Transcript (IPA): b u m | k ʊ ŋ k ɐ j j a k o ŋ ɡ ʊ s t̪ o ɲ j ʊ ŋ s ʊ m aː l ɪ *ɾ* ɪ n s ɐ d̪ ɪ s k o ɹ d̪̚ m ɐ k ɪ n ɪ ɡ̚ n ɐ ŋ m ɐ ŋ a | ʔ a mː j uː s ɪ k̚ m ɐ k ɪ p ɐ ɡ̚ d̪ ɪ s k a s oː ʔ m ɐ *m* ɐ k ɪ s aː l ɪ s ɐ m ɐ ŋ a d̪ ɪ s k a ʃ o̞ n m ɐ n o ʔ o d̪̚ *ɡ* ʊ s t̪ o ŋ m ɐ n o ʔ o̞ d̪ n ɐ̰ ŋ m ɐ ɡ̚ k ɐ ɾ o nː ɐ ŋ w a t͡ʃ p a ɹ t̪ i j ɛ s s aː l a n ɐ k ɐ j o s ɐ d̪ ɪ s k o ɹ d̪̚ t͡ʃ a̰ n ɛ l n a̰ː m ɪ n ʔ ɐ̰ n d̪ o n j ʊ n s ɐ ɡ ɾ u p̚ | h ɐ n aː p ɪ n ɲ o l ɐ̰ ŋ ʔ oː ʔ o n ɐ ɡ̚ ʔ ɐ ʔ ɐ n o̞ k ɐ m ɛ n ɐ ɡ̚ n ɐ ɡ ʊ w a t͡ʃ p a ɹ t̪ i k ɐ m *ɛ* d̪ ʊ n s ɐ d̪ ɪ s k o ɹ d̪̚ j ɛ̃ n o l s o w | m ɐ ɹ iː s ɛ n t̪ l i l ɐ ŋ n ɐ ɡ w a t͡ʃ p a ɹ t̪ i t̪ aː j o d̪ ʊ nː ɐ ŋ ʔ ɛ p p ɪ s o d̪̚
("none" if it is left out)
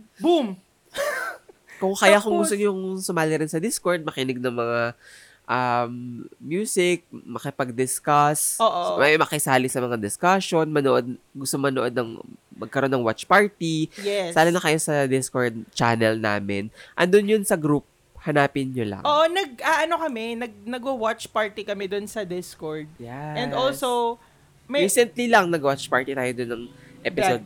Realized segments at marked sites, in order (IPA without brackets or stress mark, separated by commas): ɾ, m, ɡ, ɛ